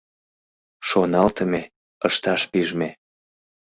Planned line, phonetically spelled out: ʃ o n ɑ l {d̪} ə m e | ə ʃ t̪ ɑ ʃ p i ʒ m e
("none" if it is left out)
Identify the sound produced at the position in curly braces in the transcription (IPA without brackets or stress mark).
t̪